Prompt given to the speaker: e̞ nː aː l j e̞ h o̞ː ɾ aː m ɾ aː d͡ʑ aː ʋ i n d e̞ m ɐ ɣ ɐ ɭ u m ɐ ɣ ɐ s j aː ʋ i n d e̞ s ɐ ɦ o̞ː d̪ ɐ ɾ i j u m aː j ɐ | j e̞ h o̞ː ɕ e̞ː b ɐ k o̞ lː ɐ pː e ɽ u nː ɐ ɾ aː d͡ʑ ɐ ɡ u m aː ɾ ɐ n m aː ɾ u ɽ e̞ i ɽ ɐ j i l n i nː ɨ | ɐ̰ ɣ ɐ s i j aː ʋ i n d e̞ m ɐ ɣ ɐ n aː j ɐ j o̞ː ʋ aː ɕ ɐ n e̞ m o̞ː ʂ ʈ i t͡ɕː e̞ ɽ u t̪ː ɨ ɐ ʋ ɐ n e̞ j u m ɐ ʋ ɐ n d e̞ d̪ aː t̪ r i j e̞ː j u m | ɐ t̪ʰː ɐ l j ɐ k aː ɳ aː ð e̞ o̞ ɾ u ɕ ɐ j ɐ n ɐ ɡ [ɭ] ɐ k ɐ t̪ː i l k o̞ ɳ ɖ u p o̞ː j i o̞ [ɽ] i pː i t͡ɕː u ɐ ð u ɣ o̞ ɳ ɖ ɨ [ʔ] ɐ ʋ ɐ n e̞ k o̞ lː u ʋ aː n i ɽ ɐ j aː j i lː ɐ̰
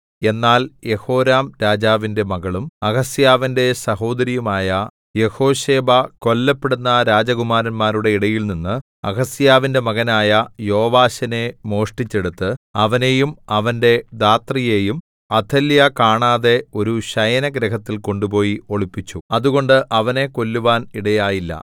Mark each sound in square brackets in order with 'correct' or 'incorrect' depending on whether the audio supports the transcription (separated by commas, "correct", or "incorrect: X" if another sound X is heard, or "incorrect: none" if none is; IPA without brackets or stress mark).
incorrect: ɾ, incorrect: ɭ, correct